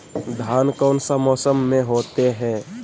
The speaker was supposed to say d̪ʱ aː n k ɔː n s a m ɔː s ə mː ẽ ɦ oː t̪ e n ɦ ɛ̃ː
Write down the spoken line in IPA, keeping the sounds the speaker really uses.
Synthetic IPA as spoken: d̪ʱ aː n k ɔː n s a m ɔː s ə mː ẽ ɦ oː t̪ e ɦ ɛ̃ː

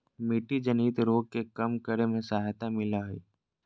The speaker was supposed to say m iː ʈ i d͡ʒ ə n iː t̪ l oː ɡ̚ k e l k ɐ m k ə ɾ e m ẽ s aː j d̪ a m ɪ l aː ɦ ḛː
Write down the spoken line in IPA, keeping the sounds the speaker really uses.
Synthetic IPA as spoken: m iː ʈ i d͡ʒ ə n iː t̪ ɾ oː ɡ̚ k e k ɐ m k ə ɾ e m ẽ s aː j t̪ a m ɪ l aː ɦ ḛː

